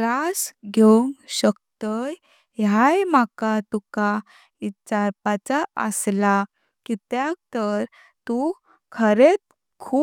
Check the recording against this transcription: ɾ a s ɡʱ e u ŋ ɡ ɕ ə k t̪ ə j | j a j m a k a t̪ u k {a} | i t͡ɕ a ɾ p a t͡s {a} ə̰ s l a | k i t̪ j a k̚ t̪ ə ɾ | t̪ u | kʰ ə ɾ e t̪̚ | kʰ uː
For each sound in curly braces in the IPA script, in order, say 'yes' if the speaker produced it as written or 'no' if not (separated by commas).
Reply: yes, yes